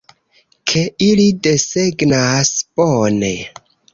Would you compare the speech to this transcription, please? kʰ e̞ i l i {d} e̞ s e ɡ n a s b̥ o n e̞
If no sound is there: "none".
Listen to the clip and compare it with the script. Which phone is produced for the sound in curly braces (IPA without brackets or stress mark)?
d